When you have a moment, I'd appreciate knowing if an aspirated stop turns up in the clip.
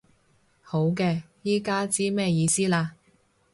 no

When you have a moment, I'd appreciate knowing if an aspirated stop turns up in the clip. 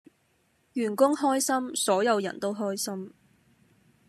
no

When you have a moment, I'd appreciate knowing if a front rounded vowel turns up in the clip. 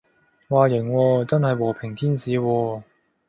no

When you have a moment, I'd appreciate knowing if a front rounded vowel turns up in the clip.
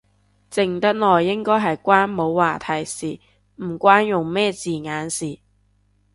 no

